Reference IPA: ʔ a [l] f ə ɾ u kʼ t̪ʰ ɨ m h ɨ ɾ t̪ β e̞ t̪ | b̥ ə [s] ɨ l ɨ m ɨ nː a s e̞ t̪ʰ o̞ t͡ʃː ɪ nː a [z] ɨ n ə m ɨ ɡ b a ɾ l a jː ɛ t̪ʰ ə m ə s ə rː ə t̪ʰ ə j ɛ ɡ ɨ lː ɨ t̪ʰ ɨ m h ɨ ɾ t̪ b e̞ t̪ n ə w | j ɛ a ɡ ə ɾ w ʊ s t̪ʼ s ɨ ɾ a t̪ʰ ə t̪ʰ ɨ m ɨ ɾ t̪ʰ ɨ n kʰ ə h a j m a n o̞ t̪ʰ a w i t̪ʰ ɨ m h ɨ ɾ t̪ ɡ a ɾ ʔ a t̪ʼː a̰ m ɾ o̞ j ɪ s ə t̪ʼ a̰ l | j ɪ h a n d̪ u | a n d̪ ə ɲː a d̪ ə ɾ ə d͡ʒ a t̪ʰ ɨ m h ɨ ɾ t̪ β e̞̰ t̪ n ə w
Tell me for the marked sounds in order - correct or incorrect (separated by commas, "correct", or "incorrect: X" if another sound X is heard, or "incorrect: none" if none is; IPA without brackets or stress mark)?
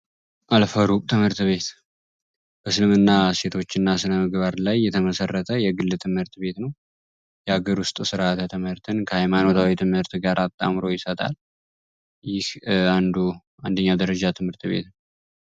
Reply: correct, correct, incorrect: s